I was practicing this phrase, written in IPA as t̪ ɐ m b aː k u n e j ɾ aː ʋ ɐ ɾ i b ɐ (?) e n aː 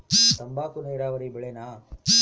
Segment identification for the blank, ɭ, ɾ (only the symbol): ɭ